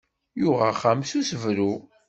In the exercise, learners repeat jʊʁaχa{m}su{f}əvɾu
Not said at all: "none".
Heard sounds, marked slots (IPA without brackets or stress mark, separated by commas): m, s